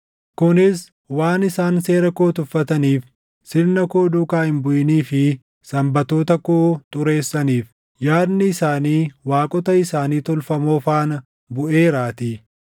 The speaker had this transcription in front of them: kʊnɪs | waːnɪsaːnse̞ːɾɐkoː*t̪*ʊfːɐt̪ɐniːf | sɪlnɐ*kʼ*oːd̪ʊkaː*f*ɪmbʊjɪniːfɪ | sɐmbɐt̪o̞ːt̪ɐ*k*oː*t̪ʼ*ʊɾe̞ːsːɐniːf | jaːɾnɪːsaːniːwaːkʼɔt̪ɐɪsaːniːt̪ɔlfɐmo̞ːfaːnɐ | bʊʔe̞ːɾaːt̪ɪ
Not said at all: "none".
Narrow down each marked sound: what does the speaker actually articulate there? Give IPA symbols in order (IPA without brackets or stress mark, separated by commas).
t̪, k, h, k, t̪ʼ